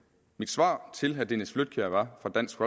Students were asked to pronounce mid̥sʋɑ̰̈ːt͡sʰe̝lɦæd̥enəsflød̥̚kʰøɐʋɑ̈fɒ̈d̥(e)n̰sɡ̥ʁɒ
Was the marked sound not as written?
yes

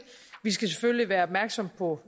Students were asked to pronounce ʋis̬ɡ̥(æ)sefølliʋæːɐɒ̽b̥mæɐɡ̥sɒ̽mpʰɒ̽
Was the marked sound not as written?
no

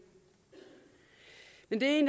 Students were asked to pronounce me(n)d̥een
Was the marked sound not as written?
no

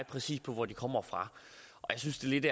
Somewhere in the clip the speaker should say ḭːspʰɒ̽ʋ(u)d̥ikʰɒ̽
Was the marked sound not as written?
yes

